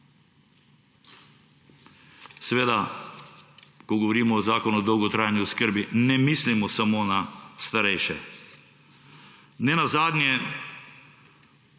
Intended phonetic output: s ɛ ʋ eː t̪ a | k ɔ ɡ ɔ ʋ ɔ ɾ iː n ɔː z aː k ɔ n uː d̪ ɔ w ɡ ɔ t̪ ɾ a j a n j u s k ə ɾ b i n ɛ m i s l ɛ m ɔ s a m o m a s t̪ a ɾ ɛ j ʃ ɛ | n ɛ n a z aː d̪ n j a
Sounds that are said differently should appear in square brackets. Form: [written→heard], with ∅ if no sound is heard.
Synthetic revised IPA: s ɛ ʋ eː [t̪→d̪] a | k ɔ ɡ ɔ ʋ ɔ ɾ iː [n→m] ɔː z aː k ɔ n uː d̪ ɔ w ɡ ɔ t̪ ɾ a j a n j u s k ə ɾ b i n ɛ m i s l [ɛ→i] m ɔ s a m o [m→n] a s t̪ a ɾ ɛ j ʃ ɛ | n ɛ n a z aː d̪ n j [a→ɛ]